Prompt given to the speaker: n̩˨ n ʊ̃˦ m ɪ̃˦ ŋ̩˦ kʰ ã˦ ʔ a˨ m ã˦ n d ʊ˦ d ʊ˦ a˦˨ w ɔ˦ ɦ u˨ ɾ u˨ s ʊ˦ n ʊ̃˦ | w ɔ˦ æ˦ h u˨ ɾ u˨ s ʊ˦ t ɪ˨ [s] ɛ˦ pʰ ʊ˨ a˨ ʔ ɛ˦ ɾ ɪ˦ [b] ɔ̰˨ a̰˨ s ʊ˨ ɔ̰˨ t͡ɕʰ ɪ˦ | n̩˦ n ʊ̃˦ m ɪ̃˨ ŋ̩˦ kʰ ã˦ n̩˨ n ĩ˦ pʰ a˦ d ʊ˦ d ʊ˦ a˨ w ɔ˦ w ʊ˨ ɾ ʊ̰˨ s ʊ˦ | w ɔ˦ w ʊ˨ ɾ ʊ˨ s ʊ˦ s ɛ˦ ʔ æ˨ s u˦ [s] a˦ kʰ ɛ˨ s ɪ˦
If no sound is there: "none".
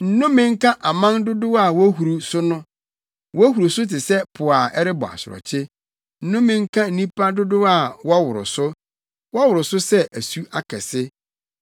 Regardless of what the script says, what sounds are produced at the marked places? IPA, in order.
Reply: s, b, none

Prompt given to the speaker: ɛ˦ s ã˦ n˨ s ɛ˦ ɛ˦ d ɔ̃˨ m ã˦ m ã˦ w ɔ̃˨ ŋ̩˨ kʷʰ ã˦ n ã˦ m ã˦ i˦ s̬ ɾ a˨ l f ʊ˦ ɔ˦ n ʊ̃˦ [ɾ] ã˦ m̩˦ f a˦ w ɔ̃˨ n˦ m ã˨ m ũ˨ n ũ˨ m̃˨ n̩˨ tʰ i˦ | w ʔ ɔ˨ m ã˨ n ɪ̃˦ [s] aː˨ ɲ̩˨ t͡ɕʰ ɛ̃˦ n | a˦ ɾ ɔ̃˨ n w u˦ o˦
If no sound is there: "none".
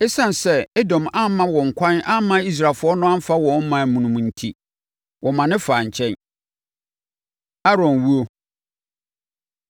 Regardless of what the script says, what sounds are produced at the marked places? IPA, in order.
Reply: none, f

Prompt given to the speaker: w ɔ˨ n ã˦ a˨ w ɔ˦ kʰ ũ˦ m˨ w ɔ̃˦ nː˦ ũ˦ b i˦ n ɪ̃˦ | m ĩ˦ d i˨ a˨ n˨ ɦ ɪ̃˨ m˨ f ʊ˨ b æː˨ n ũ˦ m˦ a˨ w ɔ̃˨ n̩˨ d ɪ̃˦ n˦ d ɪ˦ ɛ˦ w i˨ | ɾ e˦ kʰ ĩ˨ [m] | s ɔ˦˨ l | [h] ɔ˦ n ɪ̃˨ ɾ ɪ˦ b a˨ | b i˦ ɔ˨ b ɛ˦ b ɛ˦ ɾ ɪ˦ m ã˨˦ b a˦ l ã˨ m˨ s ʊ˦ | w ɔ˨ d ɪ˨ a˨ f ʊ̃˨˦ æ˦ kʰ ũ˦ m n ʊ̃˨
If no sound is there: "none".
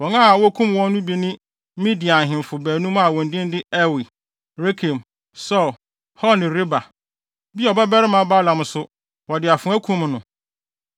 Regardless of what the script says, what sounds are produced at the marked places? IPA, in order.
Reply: m, h

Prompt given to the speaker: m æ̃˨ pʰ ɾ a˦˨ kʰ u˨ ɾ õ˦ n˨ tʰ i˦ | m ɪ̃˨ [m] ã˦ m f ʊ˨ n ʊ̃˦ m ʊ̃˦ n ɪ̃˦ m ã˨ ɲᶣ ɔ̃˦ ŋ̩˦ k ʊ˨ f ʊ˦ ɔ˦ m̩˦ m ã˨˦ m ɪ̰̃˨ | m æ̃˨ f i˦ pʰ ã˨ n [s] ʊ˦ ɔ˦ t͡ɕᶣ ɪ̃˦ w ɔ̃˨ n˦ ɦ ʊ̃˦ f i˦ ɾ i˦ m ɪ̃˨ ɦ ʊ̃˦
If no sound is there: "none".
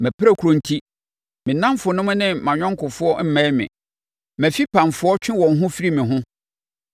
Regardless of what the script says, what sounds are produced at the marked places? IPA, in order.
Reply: n, f

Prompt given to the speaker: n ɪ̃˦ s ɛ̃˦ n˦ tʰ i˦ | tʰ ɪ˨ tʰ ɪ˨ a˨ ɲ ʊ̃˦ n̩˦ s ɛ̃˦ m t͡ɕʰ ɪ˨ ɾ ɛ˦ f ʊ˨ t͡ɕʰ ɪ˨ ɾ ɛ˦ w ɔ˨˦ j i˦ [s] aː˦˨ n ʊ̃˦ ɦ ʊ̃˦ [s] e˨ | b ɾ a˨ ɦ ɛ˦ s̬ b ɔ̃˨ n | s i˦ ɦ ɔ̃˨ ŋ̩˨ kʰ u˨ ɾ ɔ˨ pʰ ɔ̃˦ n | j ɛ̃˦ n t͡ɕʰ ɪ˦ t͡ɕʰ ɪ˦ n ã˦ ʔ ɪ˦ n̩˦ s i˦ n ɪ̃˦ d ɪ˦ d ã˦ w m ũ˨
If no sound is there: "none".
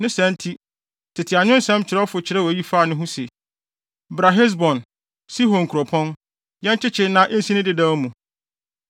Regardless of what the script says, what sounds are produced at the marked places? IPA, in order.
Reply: f, s

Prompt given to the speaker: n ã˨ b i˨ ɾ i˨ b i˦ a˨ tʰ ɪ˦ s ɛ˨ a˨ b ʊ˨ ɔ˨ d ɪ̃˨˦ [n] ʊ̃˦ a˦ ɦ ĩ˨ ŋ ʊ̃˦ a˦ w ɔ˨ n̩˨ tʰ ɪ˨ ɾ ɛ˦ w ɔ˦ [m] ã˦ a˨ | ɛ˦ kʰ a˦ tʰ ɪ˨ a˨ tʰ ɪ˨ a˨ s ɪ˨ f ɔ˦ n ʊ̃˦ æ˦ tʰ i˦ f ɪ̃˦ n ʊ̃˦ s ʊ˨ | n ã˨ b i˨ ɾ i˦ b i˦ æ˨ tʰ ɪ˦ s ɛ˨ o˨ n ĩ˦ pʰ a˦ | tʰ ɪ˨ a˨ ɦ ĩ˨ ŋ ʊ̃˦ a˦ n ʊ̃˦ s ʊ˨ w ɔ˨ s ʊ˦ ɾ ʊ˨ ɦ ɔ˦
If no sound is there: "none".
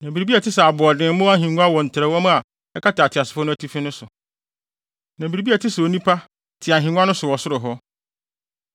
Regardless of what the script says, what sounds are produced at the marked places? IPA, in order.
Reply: m, m

